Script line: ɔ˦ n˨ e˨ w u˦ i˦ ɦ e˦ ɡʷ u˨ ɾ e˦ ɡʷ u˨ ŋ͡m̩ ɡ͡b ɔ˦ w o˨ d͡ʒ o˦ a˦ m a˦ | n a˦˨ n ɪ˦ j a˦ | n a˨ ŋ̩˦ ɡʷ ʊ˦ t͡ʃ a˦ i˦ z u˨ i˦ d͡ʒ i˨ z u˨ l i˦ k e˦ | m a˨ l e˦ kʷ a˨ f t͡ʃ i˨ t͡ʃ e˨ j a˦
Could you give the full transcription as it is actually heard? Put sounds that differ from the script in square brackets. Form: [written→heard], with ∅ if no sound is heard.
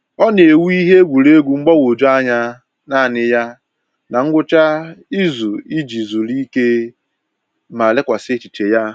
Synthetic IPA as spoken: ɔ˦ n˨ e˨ w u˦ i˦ ɦ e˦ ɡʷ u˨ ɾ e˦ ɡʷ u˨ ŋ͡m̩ ɡ͡b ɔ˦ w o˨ d͡ʒ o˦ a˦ [m→ɲ] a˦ | n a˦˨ n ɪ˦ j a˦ | n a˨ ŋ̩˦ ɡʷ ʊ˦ t͡ʃ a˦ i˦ z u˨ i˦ d͡ʒ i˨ z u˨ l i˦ k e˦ | m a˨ l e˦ kʷ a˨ [f→s] t͡ʃ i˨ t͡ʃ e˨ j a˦